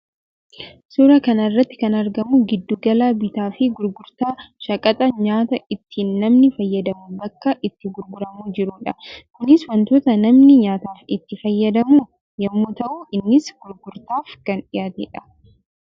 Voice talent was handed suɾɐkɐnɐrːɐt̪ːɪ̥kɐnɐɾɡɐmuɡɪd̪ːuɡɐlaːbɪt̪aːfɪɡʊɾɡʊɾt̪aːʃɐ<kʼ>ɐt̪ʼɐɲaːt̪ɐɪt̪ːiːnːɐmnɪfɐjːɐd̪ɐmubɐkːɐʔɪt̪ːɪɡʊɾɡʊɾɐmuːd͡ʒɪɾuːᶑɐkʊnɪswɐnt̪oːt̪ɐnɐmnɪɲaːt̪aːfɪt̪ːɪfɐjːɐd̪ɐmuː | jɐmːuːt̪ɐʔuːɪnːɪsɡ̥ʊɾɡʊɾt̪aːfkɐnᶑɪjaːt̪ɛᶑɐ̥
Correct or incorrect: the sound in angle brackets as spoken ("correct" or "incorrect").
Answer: correct